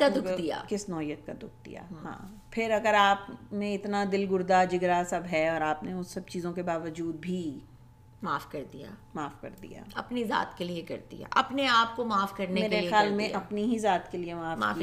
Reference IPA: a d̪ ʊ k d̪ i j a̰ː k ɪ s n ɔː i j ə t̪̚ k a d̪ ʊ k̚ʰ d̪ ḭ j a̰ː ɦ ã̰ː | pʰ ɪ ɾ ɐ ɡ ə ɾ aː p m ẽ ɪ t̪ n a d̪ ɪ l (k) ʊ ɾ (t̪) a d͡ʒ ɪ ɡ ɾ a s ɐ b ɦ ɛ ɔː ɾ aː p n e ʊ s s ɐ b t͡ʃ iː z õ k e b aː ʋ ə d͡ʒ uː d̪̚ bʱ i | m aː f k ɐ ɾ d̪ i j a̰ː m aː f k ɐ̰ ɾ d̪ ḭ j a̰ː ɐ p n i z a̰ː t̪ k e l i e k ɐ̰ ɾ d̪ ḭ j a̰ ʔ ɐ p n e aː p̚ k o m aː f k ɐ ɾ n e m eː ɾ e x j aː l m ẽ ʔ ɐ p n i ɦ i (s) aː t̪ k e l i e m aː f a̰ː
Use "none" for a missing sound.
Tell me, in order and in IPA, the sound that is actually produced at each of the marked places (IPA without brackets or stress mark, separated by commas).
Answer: ɡ, d̪, z